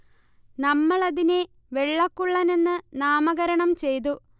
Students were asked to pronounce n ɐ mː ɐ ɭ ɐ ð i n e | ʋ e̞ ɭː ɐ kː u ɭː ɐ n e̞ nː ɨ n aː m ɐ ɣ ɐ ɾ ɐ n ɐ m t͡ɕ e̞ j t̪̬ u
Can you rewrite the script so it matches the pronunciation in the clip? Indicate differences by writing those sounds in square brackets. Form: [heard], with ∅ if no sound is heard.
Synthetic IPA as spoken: n ɐ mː ɐ ɭ ɐ ð i n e | ʋ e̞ ɭː ɐ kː u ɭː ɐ n e̞ nː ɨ n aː m ɐ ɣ ɐ ɾ ɐ [ɳ] ɐ m t͡ɕ e̞ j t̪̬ u